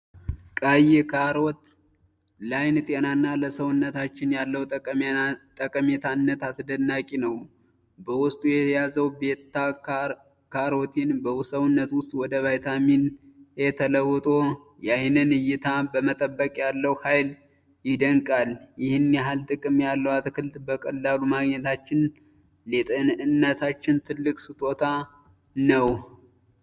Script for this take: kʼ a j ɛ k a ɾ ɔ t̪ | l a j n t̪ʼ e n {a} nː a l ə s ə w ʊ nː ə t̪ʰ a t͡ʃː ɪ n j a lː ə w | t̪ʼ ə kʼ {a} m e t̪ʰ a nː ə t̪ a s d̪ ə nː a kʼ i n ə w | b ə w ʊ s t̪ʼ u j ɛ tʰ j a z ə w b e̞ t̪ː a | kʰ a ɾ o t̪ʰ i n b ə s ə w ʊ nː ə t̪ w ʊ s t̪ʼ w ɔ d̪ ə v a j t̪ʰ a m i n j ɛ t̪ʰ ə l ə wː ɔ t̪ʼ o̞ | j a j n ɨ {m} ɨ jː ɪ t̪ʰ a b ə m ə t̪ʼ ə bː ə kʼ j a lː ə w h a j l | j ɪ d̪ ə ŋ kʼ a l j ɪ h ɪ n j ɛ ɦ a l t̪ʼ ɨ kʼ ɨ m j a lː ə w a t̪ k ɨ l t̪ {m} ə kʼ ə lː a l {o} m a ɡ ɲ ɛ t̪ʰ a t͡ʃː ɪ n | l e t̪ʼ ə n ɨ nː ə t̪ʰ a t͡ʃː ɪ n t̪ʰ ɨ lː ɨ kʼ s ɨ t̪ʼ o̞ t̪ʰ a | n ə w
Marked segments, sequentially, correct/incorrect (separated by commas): correct, incorrect, incorrect, incorrect, incorrect